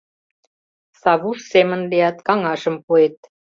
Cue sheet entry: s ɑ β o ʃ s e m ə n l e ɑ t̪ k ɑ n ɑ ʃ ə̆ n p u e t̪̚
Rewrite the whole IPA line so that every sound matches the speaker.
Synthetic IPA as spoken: s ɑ β u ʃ s e m ə n l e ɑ t̪ k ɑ ŋ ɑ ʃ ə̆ m p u e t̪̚